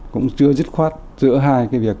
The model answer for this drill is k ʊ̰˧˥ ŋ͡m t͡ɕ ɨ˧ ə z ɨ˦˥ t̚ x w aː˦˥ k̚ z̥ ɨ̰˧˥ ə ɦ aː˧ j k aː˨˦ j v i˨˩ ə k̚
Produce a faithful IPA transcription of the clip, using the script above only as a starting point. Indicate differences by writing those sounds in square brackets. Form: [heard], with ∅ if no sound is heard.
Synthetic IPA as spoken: k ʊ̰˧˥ ŋ͡m t͡ɕ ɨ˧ ə z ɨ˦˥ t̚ x w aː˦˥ [t̚] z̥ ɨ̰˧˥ ə ɦ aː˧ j k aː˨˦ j v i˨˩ ə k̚